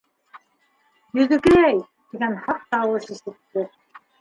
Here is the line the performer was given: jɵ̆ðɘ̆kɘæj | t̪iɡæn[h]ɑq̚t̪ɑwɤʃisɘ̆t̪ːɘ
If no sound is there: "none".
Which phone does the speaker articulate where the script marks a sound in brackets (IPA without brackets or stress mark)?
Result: h